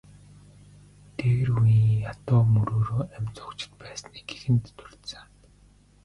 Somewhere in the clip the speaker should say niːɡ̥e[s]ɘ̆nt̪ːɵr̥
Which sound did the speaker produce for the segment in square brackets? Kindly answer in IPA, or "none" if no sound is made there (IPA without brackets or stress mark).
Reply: x